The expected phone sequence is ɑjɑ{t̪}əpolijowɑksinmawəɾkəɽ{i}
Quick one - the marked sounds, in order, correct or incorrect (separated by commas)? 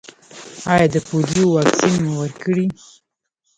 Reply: incorrect, correct